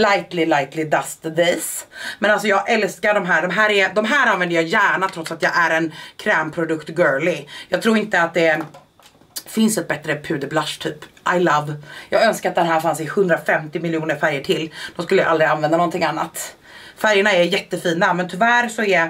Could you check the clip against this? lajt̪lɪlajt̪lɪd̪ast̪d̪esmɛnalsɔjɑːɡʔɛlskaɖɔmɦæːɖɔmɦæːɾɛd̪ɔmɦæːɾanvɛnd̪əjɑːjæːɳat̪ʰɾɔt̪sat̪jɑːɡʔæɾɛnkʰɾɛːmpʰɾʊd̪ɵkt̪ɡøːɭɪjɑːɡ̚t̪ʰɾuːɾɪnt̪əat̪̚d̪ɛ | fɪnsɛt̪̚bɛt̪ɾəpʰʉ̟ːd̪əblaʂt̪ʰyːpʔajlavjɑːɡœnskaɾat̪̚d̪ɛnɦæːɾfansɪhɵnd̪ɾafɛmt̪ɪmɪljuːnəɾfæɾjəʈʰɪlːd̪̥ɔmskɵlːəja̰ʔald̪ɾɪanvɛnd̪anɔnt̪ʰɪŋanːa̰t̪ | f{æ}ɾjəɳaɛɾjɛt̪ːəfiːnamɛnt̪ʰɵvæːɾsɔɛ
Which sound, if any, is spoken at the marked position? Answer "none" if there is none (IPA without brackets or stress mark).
æ